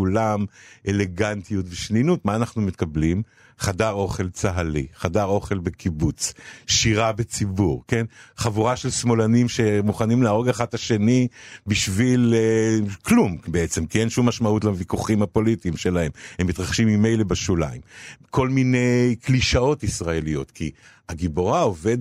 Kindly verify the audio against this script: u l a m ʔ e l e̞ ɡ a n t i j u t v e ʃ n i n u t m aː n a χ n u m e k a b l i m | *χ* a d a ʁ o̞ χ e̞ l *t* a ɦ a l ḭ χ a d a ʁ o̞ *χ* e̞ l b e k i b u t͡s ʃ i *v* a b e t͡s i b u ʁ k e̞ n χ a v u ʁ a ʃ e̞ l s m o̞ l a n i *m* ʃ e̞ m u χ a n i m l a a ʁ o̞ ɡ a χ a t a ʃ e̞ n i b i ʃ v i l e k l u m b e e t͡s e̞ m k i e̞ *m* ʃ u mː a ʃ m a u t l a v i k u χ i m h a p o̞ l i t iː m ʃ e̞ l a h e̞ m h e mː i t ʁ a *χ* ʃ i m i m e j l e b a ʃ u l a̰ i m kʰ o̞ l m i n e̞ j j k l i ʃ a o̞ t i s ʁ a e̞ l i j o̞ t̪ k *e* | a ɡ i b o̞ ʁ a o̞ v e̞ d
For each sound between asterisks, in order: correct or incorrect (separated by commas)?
correct, incorrect, correct, incorrect, correct, incorrect, correct, incorrect